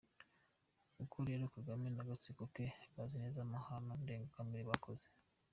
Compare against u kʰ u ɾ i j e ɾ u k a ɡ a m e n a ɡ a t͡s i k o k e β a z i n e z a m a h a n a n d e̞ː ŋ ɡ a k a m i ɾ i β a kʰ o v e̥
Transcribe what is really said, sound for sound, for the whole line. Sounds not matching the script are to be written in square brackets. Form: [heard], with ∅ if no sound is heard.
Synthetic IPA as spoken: u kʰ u ɾ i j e ɾ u k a ɡ a m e n a ɡ a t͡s i k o k e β a z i n e z a m a h a n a n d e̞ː ŋ ɡ a k a m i ɾ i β a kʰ o [z] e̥